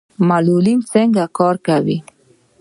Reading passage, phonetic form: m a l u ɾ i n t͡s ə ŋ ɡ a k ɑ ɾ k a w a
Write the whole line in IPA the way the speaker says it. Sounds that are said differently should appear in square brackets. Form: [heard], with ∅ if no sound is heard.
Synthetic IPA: m a l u [l] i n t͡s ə ŋ ɡ a k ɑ ɾ k a w [i]